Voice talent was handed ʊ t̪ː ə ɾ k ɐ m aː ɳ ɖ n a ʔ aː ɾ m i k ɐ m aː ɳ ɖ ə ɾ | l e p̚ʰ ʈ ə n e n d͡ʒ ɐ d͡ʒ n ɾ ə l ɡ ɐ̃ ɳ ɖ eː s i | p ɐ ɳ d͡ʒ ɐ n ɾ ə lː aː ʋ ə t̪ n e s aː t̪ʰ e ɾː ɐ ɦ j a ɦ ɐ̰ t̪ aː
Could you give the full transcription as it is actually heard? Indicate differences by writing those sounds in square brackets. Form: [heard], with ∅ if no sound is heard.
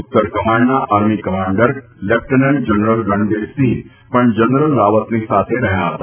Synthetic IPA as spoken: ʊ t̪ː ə ɾ k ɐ m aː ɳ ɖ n a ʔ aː ɾ m i k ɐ m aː ɳ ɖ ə ɾ | l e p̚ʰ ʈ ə n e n d͡ʒ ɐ [∅] n ɾ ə l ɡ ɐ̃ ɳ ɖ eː s i | p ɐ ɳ d͡ʒ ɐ n ɾ ə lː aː ʋ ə t̪ n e s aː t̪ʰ e [ɾ] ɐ ɦ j a ɦ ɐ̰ t̪ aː